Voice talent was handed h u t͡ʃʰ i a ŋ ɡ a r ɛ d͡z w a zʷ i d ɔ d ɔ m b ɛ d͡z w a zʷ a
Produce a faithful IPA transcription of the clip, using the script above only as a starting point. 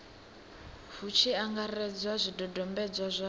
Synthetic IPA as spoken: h u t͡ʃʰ i a ŋ ɡ a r ɛ d͡z w a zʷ i d ɔ d ɔ m b ɛ d͡z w a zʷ a